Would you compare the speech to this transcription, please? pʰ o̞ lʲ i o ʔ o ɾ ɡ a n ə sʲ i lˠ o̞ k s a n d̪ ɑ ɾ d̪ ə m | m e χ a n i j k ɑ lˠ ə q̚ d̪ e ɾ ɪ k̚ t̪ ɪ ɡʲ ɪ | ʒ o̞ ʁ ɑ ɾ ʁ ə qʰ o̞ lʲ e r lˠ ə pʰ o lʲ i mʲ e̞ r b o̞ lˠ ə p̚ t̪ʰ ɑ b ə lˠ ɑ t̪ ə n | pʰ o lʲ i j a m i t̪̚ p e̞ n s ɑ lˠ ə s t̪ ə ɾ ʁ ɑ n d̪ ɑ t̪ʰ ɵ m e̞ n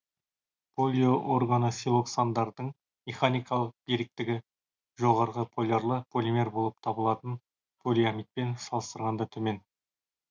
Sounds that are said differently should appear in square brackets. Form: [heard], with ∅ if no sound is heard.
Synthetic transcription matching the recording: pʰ o̞ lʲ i o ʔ o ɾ ɡ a n ə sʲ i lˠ o̞ k s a n d̪ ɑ ɾ d̪ ə [ɴ] | m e χ a n i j k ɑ lˠ ə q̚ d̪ e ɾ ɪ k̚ t̪ ɪ ɡʲ ɪ | ʒ o̞ ʁ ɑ ɾ ʁ ə [pʰ] o̞ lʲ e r lˠ ə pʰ o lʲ i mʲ e̞ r b o̞ lˠ ə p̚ t̪ʰ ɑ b ə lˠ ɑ t̪ ə n | pʰ o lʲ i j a m i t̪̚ p e̞ n s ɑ lˠ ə s t̪ ə ɾ ʁ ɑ n d̪ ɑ t̪ʰ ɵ m e̞ n